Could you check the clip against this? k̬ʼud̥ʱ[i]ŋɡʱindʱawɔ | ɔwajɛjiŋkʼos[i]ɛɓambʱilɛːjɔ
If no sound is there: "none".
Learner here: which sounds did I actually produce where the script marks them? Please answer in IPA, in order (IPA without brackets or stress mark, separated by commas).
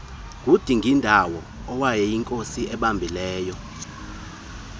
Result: i, i